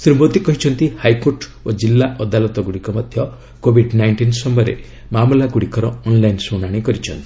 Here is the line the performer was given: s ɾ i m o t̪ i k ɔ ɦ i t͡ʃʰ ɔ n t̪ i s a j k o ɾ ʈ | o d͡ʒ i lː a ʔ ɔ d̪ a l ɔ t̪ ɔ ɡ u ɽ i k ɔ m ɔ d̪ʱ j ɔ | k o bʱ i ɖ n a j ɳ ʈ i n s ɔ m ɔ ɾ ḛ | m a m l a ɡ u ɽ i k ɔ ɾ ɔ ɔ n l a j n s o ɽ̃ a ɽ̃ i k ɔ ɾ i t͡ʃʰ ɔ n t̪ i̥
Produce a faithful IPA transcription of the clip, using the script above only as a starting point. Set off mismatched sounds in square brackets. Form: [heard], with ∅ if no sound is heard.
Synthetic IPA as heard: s ɾ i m o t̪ i k ɔ ɦ i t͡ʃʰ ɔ n t̪ i [h] a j k o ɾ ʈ | o d͡ʒ i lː a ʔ ɔ d̪ a l ɔ t̪ ɔ ɡ u ɽ i k ɔ m ɔ d̪ʱ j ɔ | k o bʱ i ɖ n a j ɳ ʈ i n s ɔ m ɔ ɾ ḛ | m a m l a ɡ u ɽ i k ɔ ɾ ɔ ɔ n l a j n s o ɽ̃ a ɽ̃ i k ɔ ɾ i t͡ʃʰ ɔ n t̪ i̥